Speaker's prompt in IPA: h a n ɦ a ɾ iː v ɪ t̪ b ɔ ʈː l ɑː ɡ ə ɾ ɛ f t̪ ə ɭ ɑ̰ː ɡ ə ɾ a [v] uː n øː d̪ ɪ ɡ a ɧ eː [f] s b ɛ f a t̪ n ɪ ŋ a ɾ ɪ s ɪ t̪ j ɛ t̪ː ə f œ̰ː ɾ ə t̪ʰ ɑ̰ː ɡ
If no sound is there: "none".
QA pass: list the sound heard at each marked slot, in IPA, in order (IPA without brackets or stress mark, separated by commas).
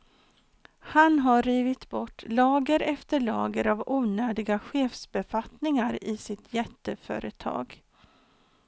v, f